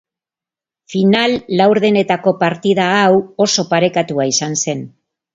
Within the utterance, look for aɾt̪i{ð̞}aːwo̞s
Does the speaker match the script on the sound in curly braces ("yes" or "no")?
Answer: yes